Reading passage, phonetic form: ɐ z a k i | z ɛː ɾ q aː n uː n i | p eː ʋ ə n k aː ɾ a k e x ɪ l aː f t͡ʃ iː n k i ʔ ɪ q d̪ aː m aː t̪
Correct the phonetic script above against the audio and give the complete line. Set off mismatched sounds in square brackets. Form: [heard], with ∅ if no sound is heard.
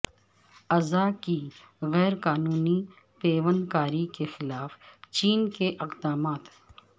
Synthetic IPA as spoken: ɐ z a k i | [ɣ] ɛː ɾ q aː n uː n i | p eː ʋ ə n k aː ɾ [i] k e x ɪ l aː f t͡ʃ iː n k [e] ʔ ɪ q d̪ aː m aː t̪